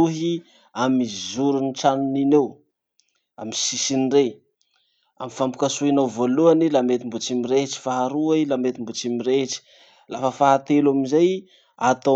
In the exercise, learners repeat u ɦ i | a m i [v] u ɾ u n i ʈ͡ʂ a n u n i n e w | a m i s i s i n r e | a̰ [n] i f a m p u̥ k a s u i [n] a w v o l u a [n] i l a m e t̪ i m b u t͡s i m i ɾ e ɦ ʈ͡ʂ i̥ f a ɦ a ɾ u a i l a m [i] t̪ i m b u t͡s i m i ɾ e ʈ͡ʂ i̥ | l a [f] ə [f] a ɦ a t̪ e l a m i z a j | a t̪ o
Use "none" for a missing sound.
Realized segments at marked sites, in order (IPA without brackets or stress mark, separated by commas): z, m, n, n, e, f, f